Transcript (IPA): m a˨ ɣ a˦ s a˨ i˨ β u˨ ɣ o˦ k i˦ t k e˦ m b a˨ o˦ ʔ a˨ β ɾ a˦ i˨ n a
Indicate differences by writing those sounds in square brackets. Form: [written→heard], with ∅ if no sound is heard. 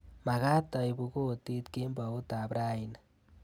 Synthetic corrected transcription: m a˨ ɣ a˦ [s→t] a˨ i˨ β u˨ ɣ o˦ [k→t] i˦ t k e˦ m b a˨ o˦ [ʔ→t] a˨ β ɾ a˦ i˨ n a